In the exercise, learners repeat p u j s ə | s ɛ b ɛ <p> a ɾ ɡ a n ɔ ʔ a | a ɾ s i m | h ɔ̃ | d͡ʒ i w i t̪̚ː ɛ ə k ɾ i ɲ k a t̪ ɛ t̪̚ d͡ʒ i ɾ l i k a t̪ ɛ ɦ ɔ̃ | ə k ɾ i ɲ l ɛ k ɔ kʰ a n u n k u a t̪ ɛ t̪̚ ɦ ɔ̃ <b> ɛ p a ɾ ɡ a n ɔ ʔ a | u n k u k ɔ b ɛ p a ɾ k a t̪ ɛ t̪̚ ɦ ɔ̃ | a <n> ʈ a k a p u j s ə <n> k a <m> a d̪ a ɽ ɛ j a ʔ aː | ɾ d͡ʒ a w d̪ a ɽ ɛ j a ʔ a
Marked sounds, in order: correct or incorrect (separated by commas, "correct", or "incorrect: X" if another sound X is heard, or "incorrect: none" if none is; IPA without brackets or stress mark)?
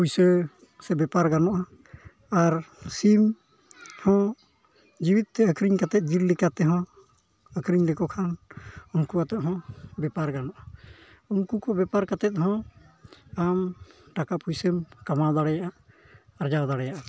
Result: correct, correct, incorrect: m, incorrect: m, correct